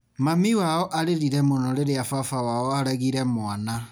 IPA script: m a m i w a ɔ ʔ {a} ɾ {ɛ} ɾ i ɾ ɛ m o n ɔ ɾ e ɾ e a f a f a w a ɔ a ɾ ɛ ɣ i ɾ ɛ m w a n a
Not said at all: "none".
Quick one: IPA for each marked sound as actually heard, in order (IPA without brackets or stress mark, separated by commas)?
a, e